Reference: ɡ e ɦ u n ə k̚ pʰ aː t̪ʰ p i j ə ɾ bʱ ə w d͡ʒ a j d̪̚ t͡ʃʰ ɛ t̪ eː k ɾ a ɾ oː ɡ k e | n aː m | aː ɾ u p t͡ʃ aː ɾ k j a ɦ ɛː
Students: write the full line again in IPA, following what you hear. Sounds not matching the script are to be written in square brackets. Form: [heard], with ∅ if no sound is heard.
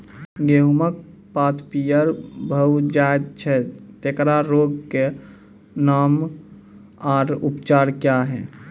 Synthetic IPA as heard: ɡ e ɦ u [m] ə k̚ [p] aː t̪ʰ p i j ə ɾ bʱ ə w d͡ʒ a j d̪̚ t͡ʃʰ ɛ t̪ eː k ɾ a ɾ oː ɡ k e | n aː m | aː ɾ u p t͡ʃ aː ɾ k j a ɦ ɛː